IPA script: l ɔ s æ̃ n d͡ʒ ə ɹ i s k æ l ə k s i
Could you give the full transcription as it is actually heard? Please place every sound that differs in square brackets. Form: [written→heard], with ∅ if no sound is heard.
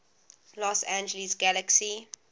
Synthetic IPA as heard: l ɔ s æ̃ n d͡ʒ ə [ɹ→l] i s [k→ɡ] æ l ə k s i